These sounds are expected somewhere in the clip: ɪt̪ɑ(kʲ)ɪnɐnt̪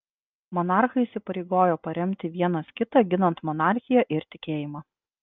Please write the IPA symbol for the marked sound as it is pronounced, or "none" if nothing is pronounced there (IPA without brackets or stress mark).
ɡʲ